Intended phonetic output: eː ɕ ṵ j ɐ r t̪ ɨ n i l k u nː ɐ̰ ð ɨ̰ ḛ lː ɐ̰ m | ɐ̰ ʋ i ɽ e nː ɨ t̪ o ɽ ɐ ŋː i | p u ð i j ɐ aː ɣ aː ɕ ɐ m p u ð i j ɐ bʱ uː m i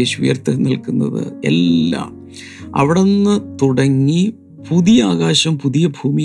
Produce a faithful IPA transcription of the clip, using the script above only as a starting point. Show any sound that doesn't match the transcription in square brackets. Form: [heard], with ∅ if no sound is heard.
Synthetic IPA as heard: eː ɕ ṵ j ɐ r t̪ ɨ n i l k u nː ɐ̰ ð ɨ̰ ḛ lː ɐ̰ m | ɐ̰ ʋ i ɽ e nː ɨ t̪ [u] ɽ ɐ ŋː i | p u ð i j ɐ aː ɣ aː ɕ ɐ m p u ð i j ɐ bʱ uː m i